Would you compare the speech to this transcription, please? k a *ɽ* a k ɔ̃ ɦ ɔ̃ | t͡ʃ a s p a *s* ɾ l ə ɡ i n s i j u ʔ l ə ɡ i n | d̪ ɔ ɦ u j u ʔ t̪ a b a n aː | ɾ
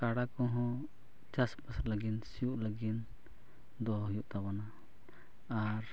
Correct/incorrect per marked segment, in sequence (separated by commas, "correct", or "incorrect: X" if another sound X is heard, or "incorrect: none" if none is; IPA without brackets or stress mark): correct, correct